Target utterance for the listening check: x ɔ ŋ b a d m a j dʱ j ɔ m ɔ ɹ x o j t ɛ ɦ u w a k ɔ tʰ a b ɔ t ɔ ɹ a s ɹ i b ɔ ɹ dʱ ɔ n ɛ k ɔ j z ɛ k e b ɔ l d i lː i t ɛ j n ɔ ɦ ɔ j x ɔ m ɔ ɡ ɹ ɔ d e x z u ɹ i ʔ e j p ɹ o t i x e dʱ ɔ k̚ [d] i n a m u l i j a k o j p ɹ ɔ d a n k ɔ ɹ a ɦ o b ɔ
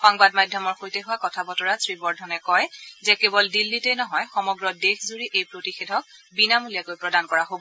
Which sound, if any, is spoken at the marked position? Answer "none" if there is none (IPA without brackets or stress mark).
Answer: b